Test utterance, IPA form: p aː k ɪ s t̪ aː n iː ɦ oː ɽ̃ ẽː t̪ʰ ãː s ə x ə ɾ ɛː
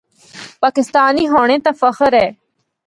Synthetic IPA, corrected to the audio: p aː k ɪ s t̪ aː n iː ɦ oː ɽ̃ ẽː t̪ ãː f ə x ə ɾ ɛː